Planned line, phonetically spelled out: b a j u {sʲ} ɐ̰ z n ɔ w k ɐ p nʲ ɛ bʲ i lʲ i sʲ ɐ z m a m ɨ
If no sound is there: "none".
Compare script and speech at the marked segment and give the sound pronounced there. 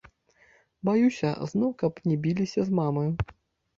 sʲ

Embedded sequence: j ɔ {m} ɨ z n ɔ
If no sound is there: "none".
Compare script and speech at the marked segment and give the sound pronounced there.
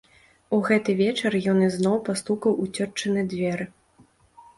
n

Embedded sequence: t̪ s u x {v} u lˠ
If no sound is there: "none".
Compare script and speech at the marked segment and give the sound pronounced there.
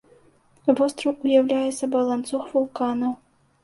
v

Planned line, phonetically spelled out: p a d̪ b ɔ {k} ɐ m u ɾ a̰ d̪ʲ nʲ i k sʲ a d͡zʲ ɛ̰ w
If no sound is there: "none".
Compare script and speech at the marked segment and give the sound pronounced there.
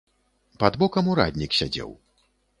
k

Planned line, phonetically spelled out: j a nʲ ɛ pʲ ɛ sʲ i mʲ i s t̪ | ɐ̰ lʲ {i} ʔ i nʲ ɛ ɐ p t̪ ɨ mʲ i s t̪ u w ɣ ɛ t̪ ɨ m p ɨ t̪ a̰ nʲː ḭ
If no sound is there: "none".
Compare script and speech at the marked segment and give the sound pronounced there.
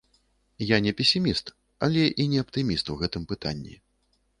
ɛ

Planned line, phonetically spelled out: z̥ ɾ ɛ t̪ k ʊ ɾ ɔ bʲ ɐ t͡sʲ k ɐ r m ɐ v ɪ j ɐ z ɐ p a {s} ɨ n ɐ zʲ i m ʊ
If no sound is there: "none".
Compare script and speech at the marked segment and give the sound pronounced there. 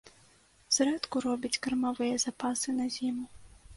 s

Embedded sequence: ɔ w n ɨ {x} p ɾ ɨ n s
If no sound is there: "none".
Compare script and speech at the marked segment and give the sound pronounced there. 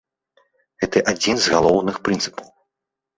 x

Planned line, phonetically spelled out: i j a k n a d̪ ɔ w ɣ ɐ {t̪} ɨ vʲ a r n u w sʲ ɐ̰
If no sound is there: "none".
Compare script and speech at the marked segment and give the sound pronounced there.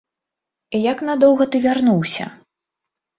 t̪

